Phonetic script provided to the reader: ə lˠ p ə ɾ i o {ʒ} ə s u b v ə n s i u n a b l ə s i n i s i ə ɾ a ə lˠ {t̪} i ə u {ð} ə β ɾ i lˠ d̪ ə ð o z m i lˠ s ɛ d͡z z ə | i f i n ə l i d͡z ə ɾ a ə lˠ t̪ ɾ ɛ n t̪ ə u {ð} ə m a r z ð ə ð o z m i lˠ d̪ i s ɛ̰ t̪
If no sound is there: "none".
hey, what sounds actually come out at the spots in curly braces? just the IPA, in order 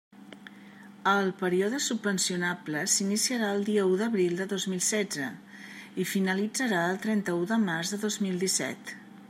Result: ð, d̪, ð, ð

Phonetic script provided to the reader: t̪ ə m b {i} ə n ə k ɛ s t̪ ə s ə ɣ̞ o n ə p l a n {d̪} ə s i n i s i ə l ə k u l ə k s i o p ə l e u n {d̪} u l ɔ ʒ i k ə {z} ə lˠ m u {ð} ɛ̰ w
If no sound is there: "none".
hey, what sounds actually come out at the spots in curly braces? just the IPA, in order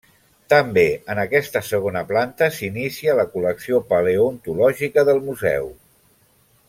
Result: e, t̪, t̪, ð, z

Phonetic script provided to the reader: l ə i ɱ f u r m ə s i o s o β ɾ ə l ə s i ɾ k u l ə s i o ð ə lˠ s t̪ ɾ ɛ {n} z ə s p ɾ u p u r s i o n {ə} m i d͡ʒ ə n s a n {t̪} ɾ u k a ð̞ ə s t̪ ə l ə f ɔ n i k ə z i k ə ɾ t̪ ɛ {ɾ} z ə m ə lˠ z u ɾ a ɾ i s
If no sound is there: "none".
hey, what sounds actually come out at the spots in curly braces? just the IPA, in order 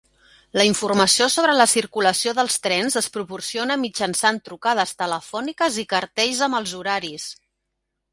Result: n, ə, t̪, ʎ

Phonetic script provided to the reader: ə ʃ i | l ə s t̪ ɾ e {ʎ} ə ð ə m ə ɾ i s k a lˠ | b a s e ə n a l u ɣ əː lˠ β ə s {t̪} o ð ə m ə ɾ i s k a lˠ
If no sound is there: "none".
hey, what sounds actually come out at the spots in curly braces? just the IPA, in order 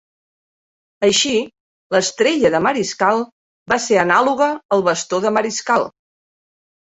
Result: ʎ, t̪

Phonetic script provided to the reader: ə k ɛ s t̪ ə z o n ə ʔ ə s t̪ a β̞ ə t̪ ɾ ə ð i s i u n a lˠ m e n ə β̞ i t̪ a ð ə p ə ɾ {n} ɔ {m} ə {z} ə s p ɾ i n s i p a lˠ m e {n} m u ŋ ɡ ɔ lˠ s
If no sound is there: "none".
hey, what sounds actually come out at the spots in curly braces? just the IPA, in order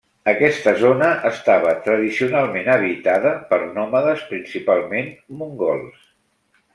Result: n, m, ð, n

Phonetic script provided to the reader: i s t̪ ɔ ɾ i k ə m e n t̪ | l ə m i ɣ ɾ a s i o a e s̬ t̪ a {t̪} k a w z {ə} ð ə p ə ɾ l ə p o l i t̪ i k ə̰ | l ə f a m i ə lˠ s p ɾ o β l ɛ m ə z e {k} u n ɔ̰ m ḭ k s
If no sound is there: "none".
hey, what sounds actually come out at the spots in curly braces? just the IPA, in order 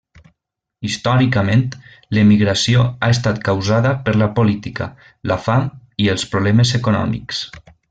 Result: t̪, a, k

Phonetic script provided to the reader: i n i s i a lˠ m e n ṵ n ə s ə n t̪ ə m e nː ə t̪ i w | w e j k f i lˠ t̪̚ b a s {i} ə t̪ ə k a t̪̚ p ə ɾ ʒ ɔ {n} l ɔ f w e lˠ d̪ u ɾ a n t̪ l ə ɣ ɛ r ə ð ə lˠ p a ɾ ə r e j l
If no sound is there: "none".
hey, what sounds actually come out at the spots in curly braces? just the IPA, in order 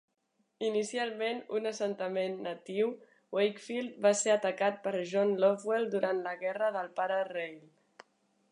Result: e, n

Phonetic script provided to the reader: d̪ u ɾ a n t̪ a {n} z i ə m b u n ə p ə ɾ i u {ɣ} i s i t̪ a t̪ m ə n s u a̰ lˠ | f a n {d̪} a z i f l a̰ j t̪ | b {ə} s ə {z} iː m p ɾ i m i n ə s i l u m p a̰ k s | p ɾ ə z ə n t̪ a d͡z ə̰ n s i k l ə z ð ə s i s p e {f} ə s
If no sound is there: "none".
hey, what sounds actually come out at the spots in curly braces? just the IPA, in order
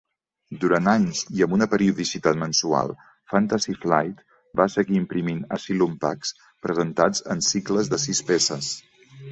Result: ɲ, ð, t̪, a, ɣ, s

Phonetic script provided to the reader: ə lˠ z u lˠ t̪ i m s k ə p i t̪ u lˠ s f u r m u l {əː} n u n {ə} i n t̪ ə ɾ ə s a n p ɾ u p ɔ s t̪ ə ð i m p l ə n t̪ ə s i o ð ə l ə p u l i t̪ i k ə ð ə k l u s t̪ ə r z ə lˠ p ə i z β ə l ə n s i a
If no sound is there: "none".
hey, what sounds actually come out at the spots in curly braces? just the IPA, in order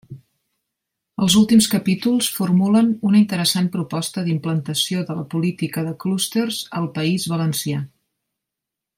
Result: ə, ə

